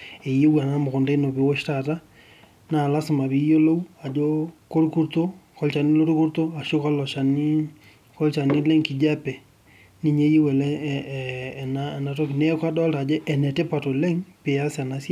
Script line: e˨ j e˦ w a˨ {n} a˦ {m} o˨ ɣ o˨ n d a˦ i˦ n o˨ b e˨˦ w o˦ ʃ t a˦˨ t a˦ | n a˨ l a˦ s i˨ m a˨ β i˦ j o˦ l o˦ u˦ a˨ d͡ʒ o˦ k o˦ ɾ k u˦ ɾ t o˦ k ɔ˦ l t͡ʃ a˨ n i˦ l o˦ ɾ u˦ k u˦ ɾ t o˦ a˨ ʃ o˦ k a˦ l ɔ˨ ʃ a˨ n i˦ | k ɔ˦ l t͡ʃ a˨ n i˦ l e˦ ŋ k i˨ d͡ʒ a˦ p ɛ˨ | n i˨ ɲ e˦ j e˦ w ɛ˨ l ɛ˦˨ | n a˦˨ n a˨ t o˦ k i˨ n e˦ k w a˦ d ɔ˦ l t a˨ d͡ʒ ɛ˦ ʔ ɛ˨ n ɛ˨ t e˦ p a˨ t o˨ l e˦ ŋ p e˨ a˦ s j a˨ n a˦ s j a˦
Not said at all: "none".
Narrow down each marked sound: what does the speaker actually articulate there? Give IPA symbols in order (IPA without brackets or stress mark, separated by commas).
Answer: n, m